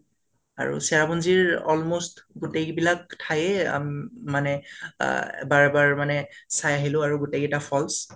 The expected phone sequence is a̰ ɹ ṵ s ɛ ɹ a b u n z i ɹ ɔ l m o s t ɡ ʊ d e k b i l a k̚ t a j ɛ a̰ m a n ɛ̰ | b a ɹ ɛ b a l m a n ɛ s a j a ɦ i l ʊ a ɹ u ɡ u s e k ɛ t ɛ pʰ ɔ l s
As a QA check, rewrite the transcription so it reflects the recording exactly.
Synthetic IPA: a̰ ɹ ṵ s ɛ ɹ a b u n z i ɹ ɔ l m o s t ɡ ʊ t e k b i l a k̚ tʰ a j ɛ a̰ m a n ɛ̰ | b a ɹ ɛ b a ɹ m a n ɛ s a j a ɦ i l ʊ a ɹ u ɡ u t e k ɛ t a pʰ ɔ l s

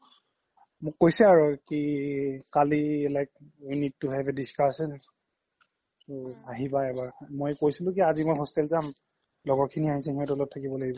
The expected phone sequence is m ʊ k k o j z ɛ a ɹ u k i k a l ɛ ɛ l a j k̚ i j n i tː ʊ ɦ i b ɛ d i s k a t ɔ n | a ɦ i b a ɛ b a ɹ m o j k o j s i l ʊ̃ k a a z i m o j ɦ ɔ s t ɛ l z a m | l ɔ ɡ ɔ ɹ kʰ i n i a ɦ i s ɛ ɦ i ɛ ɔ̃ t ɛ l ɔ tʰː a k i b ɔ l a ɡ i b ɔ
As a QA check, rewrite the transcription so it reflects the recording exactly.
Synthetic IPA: m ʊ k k o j s ɛ a ɹ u k i k a l i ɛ l a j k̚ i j n i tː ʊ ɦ ɛ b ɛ d i s k a s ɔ n | a ɦ i b a ɛ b a ɹ m o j k o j s i l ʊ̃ k i a z i m o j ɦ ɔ s t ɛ l z a m | l ɔ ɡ ɔ ɹ kʰ i n i a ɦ i s ɛ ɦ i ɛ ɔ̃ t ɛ l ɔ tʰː a k i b ɔ l a ɡ i b ɔ

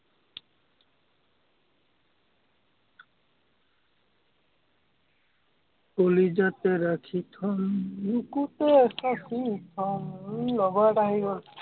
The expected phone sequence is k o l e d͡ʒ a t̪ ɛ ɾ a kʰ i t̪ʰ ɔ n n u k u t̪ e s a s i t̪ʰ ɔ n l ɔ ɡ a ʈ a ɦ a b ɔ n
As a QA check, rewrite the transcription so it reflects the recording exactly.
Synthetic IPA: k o l i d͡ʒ a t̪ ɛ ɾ a kʰ i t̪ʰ ɔ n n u k u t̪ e s a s i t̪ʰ ɔ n l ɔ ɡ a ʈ a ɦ i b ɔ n

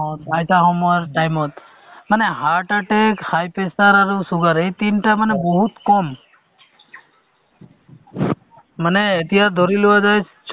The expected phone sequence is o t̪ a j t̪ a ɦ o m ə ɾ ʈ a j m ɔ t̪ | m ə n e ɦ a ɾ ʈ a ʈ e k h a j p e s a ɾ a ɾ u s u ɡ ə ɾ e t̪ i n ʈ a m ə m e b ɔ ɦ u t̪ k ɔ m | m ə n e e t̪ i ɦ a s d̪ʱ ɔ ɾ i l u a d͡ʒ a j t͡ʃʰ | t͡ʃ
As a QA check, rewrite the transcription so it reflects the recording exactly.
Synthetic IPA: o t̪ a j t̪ a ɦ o m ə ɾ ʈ a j m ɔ t̪ | m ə n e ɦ a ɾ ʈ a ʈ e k h a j p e s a ɾ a ɾ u s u ɡ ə ɾ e t̪ i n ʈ a m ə n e b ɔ ɦ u t̪ k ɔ m | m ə n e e t̪ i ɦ a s d̪ʱ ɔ ɾ i l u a d͡ʒ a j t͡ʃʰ | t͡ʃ

